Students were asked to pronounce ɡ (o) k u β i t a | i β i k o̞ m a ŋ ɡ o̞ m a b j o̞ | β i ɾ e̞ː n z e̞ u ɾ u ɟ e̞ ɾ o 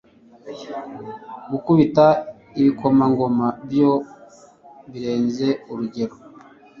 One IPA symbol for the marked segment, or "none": u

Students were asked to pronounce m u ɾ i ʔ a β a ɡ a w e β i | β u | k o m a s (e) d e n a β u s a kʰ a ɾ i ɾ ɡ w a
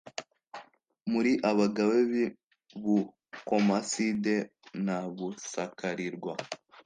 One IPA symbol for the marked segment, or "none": i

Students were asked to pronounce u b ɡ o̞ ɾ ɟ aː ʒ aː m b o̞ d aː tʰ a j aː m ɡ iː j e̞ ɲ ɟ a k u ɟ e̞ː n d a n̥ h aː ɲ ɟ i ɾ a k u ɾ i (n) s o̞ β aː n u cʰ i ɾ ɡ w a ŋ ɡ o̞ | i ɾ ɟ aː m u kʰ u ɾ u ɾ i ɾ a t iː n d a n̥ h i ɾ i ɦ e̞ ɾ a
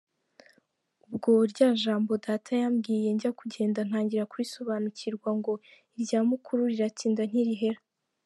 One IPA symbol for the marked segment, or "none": none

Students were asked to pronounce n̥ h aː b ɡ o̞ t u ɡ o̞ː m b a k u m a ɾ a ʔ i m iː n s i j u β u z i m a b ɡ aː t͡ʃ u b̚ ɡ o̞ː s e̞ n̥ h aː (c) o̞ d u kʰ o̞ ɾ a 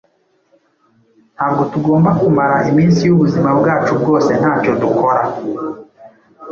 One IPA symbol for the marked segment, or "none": c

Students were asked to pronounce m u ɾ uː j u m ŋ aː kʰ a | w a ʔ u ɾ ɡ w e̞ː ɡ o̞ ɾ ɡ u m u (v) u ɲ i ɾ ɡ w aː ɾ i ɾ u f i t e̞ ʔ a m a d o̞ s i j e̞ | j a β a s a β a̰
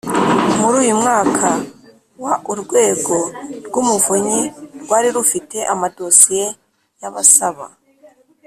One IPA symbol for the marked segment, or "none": v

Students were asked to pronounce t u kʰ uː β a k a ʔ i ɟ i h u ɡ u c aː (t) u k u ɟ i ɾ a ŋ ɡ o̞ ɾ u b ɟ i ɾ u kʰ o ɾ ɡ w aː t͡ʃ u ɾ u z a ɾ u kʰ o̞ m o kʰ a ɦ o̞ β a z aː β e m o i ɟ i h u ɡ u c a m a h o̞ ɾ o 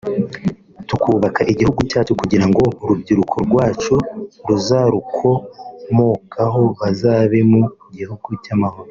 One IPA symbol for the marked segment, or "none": t͡ʃ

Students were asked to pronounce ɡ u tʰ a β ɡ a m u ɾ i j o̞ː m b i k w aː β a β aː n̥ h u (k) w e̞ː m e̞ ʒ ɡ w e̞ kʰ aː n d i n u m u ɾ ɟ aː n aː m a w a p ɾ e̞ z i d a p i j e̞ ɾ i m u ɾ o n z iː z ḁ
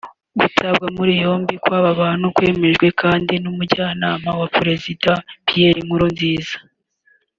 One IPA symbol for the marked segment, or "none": k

